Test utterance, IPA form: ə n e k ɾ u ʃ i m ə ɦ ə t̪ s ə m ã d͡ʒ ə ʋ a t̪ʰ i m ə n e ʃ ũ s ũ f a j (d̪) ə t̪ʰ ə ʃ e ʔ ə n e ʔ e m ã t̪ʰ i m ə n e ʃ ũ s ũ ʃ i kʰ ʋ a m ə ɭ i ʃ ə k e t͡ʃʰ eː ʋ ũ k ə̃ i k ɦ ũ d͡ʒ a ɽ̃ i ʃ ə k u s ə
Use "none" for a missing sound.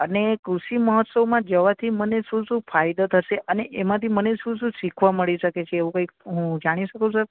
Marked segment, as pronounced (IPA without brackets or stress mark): d̪